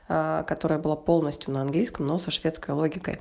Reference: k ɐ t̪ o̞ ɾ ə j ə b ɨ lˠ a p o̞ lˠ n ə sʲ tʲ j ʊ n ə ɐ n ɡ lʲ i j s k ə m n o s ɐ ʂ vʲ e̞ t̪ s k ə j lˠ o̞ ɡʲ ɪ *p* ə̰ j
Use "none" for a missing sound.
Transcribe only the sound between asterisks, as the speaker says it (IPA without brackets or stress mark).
k